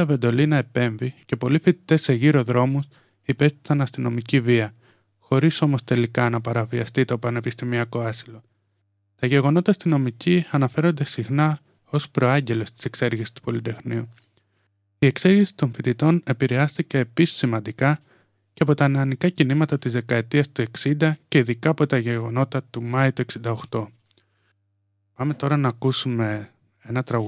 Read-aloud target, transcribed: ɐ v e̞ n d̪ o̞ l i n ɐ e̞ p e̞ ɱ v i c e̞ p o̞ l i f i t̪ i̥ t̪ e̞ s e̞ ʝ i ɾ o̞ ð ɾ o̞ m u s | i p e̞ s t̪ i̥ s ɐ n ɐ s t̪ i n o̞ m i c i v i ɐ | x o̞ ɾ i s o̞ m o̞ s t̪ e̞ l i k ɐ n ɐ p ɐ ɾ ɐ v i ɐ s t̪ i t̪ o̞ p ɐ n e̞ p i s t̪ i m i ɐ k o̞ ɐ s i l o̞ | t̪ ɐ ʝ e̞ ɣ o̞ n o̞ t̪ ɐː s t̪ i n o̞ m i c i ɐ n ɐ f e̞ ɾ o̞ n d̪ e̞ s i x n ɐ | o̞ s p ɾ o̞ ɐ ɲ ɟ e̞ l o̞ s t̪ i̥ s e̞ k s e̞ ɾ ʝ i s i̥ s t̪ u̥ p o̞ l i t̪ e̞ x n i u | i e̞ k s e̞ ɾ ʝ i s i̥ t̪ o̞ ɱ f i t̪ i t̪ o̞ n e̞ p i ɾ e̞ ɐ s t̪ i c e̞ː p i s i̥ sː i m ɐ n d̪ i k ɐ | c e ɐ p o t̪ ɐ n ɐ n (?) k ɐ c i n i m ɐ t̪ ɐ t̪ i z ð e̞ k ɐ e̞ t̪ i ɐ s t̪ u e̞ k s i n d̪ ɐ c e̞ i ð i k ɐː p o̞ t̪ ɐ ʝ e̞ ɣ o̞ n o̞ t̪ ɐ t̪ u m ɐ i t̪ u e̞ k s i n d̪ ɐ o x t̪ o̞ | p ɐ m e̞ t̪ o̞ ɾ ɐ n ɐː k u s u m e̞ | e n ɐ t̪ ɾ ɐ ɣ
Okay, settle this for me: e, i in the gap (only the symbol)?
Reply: i